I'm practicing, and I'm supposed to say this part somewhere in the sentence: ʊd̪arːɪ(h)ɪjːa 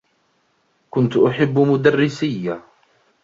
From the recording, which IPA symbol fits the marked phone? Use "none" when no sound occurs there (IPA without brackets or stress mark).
s